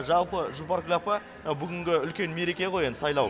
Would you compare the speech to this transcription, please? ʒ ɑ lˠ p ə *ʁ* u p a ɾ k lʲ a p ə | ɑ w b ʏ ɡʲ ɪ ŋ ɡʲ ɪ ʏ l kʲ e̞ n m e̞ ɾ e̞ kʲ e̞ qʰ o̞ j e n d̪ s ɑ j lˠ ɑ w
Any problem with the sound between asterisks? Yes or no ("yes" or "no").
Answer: yes